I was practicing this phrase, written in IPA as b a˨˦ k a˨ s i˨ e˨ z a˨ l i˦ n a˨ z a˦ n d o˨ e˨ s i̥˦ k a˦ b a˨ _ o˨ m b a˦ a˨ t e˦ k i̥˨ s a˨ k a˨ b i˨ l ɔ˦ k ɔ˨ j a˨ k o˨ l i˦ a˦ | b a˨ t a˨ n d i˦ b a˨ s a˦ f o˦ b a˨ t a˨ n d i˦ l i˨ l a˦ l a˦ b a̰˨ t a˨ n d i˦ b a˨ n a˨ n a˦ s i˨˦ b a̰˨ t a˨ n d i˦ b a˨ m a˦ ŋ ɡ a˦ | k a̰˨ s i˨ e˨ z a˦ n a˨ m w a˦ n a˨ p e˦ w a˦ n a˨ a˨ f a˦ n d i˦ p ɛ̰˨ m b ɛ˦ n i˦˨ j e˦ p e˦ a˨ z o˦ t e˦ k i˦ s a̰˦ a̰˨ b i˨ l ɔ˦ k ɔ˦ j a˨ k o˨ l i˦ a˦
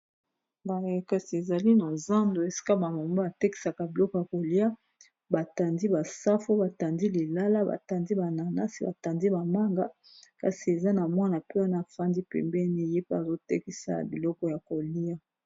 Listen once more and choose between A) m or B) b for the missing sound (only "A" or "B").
A